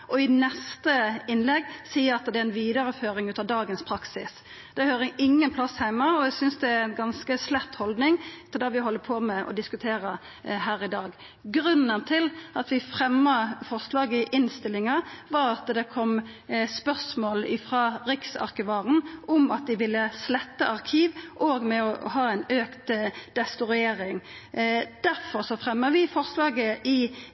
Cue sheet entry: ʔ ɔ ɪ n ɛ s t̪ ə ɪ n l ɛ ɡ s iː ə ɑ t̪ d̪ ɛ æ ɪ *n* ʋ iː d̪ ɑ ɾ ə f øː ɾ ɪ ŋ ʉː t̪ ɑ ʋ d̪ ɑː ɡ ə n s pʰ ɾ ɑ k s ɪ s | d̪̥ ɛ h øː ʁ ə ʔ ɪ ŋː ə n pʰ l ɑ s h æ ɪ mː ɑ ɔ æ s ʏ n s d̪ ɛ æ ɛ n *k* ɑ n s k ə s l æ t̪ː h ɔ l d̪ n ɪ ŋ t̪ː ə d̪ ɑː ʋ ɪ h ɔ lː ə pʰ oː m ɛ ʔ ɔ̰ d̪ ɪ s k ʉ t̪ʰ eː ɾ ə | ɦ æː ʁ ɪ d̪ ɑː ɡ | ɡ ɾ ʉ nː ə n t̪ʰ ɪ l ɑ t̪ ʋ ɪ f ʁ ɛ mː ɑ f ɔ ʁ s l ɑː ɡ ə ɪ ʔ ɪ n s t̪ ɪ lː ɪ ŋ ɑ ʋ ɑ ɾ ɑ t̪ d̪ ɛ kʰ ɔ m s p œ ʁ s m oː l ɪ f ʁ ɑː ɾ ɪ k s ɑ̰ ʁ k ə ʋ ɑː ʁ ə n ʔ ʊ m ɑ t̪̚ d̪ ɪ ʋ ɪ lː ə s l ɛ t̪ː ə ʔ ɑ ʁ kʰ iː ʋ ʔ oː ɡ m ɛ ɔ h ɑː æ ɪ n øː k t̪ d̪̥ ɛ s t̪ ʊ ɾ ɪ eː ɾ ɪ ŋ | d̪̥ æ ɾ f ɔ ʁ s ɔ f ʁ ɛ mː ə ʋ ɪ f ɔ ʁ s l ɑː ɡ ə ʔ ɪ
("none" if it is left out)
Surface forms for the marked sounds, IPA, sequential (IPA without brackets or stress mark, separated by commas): n, ɡ